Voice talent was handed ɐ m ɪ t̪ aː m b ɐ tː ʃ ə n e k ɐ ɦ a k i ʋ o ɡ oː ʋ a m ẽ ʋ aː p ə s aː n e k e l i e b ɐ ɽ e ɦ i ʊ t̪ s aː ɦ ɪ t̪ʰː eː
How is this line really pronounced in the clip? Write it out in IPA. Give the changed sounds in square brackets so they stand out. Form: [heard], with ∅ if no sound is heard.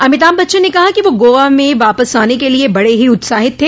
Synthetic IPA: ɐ m ɪ t̪ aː m b ɐ tː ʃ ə n e k ɐ ɦ a k i ʋ o ɡ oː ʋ a m ẽ ʋ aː p ə s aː n e k e l i e b ɐ ɽ e ɦ i ʊ t̪ s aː ɦ ɪ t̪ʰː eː